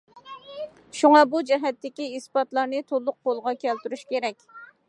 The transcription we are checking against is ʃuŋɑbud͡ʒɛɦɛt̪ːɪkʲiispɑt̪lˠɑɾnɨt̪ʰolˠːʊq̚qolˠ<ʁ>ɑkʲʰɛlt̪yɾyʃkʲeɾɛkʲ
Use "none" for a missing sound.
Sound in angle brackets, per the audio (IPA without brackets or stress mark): ʁ